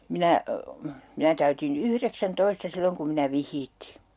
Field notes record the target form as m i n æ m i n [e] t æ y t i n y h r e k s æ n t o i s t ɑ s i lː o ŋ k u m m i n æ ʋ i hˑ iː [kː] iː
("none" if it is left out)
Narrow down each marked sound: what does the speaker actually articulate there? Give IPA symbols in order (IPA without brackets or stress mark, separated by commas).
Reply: æ, tː